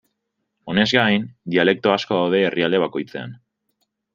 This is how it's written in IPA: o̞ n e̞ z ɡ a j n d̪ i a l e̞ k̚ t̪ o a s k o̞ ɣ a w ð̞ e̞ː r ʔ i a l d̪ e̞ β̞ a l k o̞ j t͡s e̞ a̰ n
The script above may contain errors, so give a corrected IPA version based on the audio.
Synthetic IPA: o̞ n e̞ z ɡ a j n d̪ i a l e̞ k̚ t̪ o a s k o̞ ð a w ð̞ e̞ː r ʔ i a l d̪ e̞ β̞ a k o̞ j t͡s e̞ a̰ n